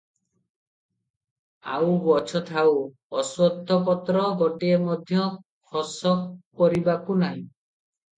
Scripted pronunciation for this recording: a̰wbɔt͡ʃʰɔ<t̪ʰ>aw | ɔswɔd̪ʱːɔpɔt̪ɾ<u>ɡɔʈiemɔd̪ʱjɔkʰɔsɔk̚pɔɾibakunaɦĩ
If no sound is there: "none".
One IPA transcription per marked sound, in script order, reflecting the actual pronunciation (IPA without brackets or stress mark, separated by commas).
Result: t̪ʰ, ɔ